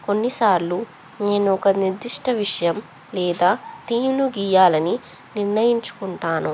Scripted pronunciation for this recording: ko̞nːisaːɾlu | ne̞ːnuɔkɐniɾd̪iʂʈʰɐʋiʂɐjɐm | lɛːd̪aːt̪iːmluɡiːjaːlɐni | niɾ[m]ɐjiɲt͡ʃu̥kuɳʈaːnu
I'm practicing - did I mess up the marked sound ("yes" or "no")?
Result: yes